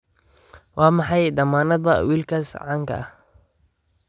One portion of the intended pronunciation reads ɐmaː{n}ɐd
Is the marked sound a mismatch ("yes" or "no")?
no